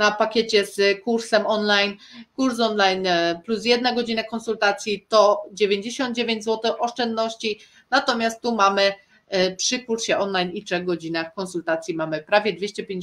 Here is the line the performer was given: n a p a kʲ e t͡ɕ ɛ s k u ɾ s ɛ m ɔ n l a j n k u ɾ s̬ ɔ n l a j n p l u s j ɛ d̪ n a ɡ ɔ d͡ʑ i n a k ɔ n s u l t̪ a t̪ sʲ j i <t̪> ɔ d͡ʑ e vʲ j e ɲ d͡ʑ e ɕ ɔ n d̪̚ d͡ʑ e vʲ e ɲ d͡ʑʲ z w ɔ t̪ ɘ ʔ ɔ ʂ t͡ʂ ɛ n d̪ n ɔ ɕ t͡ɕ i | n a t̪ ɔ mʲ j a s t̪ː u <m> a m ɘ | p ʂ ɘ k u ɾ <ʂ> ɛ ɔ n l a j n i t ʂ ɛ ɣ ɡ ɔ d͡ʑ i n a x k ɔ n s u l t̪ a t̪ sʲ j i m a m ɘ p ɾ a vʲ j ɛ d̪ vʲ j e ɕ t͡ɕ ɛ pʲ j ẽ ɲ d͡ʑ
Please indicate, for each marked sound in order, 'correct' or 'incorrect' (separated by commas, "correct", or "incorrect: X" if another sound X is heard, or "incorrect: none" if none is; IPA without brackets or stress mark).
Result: correct, correct, incorrect: ɕ